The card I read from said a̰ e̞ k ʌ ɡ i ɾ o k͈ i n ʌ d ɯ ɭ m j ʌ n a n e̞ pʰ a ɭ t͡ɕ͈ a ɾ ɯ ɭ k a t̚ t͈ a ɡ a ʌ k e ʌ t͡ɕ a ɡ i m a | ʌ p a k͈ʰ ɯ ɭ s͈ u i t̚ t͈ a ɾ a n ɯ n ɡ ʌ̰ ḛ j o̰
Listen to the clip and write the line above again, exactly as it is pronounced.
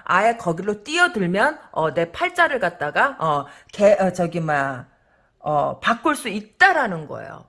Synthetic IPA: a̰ e̞ k ʌ ɡ i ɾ o t͈ i ʌ d ɯ ɭ m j ʌ n ʌ n e̞ pʰ a ɭ t͡ɕ͈ a ɾ ɯ ɭ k a t̚ t͈ a ɡ a ʌ k e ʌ t͡ɕ ʌ ɡ i m a | ʌ p a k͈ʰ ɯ ɭ s͈ u i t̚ t͈ a ɾ a n ɯ n ɡ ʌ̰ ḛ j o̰